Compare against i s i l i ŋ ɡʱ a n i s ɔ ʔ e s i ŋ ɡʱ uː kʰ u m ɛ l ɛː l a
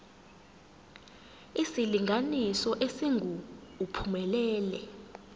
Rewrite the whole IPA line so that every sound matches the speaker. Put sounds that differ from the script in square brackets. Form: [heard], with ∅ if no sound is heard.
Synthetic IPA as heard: i s i l i ŋ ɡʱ a n i s ɔ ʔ e s i ŋ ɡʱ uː [pʰ] u m ɛ l ɛː l [ɛ]

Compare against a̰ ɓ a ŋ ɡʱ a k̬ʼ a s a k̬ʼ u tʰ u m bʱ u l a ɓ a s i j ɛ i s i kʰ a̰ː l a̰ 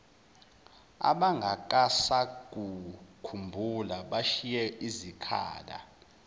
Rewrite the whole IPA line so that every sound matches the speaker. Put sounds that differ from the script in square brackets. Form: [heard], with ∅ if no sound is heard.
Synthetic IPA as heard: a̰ ɓ a ŋ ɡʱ a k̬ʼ a s a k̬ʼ u [kʰ] u m bʱ u l a ɓ a [ʃ] i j ɛ i [z] i kʰ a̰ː l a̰

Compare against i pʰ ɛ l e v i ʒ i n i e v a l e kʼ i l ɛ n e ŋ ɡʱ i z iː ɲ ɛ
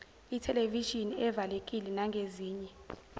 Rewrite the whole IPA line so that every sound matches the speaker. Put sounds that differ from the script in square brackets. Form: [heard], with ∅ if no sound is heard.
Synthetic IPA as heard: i [tʰ] ɛ l e v i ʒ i n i [ɛ] v a l e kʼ i l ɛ n [a] ŋ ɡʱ [e] z iː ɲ ɛ

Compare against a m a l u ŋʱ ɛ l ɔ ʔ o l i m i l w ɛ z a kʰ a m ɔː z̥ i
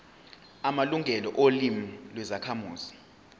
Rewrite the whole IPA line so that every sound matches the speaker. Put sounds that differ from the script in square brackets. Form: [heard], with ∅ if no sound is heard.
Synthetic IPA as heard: a m a l u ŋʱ ɛ l ɔ ʔ o l i m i l w ɛ z a kʰ a m [uː] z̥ i

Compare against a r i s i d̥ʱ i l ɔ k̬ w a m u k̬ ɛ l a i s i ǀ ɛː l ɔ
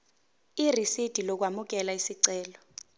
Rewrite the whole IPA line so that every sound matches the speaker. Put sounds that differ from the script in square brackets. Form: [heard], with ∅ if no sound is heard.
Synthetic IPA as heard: [i] r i s i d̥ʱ i l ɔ k̬ w a m u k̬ ɛ l a i s i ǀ ɛː l ɔ

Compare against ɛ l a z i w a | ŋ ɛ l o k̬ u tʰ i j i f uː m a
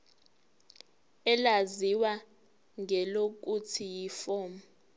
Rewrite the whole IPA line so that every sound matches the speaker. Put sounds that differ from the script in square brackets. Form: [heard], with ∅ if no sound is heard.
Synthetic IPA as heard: ɛ l a z i w a | ŋ ɛ l o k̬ u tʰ i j i f [ɔː] m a

